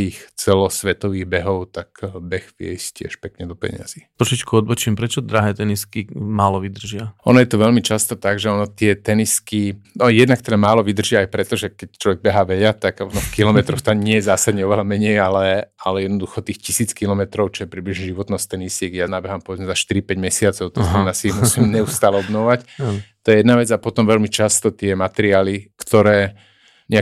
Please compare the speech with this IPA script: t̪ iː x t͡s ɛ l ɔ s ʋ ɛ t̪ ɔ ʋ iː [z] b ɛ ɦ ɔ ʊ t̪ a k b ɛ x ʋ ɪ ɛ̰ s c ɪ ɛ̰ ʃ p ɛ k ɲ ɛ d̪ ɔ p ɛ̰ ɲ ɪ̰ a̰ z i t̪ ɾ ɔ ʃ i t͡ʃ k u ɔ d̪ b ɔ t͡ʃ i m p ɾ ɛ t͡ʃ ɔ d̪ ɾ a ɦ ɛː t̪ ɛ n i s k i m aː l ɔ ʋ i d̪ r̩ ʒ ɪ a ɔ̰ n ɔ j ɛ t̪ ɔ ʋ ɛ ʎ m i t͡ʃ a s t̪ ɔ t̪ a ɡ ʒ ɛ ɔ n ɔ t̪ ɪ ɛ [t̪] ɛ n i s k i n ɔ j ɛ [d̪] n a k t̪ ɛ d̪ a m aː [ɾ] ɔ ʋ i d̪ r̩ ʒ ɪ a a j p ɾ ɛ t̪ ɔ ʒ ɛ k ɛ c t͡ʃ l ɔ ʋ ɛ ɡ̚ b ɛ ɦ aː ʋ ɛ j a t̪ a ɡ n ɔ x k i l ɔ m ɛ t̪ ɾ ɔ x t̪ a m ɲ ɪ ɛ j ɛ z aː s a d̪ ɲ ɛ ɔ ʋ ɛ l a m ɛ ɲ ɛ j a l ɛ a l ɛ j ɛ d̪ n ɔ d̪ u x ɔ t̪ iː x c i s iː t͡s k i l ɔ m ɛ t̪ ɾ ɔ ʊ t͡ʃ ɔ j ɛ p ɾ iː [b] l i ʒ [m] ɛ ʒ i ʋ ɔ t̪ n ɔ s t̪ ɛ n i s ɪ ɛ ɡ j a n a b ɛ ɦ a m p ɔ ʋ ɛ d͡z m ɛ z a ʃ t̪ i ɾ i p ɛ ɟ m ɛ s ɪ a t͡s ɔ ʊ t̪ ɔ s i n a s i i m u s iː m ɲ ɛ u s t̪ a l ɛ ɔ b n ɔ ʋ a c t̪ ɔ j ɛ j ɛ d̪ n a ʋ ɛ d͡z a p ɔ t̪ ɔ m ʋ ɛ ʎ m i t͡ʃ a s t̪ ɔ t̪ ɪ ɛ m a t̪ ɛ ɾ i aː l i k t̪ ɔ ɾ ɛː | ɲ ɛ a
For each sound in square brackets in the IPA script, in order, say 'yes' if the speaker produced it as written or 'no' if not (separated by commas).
no, yes, yes, no, yes, no